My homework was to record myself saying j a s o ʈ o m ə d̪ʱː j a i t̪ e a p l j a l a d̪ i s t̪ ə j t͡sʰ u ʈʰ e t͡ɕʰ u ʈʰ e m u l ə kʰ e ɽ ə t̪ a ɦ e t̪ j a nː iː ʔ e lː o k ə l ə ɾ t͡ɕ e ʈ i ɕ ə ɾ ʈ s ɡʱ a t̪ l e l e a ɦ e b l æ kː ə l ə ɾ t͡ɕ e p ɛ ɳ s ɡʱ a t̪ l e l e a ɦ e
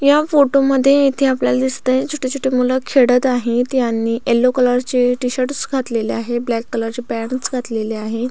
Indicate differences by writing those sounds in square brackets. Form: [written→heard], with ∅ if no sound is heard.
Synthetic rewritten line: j a [s→f] o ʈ o m ə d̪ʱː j [a→e] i [t̪→t̪ʰ] e a p l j a l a d̪ i s t̪ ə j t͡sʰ u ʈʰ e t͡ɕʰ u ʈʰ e m u l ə kʰ e ɽ ə t̪ a ɦ e t̪ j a nː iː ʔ e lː o k ə l ə ɾ t͡ɕ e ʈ i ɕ ə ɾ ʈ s ɡʱ a t̪ l e l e a ɦ e b l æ kː ə l ə ɾ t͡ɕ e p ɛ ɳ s ɡʱ a t̪ l e l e a ɦ e